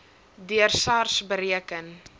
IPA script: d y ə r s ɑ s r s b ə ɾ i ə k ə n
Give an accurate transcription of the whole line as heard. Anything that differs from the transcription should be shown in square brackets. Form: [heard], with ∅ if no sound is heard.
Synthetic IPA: d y ə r s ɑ [∅] r s b ə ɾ i ə k ə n